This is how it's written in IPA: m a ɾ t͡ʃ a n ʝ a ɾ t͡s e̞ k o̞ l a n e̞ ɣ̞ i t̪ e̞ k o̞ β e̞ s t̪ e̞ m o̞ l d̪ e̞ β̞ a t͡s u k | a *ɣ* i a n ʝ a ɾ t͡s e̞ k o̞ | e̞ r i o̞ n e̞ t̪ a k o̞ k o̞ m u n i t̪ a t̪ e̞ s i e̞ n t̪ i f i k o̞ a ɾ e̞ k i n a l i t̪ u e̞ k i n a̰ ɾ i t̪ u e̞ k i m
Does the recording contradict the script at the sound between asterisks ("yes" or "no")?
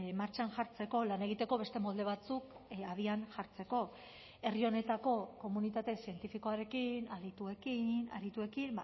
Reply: yes